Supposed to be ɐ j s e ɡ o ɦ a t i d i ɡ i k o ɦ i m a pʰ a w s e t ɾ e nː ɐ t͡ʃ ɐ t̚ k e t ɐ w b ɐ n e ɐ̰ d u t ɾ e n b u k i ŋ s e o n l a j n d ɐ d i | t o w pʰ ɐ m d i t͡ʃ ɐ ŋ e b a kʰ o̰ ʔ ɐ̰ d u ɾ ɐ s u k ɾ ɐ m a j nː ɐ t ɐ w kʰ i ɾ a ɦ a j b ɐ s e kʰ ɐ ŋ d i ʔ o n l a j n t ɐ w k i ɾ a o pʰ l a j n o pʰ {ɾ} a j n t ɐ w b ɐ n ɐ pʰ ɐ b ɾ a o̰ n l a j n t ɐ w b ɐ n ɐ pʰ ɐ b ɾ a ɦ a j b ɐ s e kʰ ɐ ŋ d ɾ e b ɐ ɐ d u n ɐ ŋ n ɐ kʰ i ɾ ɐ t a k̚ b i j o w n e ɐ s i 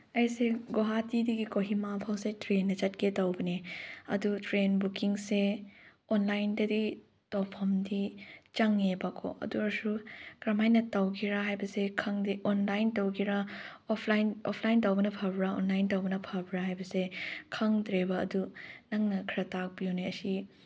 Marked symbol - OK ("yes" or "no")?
no